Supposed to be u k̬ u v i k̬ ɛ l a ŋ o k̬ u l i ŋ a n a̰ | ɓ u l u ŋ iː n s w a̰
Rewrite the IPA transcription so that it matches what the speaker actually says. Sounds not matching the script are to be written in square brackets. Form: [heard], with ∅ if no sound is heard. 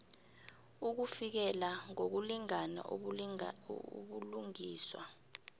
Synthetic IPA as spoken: u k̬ u [f] i k̬ ɛ l a ŋ o k̬ u l i ŋ a n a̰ | ɓ u l u ŋ iː [∅] s w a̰